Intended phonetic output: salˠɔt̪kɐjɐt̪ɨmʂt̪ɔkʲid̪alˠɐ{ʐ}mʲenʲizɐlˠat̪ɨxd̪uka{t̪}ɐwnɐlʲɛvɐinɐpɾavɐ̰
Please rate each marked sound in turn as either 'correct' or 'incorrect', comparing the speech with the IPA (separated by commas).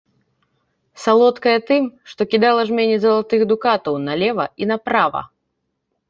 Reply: correct, correct